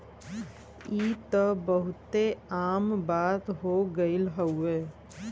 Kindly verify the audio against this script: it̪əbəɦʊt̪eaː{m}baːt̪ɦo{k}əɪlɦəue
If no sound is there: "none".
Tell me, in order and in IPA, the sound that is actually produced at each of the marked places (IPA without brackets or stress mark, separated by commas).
m, ɡ